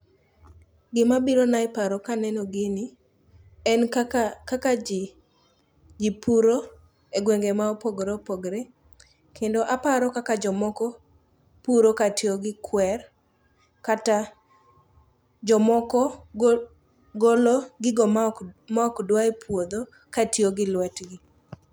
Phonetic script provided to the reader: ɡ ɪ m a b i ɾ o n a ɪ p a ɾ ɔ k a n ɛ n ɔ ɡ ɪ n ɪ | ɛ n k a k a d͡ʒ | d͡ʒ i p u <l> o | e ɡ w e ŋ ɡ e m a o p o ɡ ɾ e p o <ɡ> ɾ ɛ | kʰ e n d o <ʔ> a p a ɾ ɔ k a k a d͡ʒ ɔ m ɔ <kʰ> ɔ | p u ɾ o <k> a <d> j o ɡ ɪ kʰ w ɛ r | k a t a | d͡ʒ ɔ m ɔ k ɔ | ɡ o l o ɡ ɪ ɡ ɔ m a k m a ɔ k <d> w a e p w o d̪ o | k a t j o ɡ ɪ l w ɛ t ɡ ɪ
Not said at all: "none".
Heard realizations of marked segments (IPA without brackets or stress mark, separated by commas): ɾ, ɡ, ʔ, k, k, t, d